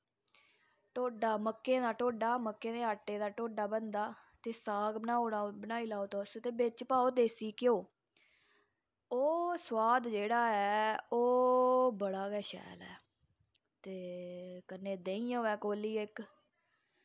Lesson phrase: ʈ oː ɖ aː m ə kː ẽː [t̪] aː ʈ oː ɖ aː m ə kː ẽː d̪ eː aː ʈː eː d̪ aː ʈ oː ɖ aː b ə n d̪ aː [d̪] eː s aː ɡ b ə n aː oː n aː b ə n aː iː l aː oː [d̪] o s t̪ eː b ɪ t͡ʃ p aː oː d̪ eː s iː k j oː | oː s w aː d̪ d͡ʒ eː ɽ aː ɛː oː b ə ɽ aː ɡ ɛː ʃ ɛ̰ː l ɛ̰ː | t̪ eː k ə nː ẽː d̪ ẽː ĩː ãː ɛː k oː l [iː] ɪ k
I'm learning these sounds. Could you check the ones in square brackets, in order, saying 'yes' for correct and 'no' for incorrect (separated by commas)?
no, no, no, yes